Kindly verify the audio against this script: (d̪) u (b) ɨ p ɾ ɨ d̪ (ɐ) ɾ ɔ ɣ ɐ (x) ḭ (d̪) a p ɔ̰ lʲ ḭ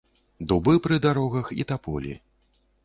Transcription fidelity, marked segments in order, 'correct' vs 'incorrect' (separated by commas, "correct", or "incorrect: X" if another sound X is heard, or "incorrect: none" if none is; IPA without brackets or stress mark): correct, correct, incorrect: a, correct, incorrect: t̪